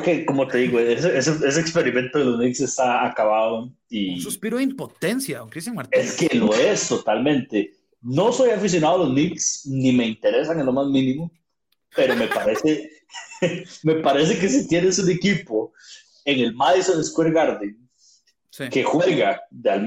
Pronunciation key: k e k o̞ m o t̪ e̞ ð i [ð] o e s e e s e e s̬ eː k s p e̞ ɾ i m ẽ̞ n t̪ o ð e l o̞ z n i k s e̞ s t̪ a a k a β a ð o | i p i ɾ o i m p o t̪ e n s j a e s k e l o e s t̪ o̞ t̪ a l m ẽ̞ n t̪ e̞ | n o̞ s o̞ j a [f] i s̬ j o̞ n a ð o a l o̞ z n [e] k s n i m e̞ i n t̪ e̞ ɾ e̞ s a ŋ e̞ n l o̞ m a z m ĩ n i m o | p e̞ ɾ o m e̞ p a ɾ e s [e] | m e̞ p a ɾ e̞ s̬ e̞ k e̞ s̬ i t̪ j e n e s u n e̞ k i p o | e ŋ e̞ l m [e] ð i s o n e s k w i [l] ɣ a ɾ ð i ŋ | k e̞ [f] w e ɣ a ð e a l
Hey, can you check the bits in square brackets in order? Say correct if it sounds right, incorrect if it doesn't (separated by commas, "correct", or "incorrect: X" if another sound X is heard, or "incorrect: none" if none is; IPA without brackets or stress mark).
incorrect: ɣ, correct, incorrect: i, correct, incorrect: a, incorrect: ɾ, incorrect: x